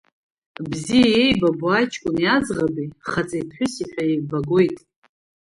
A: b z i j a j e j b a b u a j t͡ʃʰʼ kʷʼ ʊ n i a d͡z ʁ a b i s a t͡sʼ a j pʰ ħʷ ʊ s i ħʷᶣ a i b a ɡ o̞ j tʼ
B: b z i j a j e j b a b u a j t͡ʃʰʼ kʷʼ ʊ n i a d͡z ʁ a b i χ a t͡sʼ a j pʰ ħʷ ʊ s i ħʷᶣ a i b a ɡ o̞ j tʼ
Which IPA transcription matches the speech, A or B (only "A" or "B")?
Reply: B